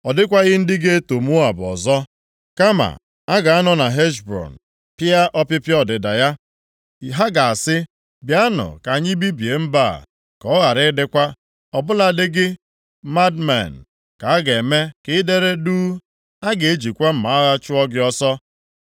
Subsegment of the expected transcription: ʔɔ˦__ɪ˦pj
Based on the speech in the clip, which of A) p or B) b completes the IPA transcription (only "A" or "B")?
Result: A